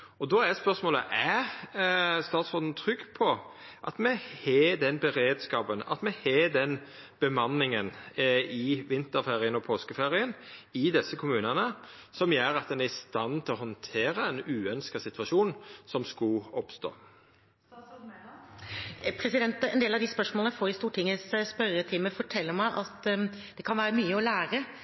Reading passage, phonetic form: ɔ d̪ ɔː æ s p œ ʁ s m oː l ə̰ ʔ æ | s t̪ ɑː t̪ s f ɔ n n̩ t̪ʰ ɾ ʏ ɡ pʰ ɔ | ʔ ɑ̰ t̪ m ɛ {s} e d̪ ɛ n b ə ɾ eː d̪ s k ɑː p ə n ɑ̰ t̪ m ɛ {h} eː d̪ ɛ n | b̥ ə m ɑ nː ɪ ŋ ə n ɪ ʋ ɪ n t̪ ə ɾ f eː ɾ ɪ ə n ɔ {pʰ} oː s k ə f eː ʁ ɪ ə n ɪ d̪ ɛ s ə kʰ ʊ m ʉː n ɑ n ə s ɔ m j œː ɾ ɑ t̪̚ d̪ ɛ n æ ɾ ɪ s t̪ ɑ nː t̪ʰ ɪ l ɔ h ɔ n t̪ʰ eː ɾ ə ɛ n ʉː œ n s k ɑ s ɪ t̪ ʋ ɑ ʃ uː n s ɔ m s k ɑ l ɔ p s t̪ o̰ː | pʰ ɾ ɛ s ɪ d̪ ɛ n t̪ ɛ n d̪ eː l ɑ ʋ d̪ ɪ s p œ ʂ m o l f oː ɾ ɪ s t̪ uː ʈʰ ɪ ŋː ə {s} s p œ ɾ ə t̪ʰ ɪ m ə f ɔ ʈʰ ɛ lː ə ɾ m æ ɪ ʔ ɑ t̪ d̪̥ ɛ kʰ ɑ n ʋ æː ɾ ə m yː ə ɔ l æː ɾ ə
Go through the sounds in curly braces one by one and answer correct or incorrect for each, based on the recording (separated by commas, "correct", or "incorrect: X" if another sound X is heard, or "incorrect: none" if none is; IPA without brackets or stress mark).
incorrect: h, correct, correct, correct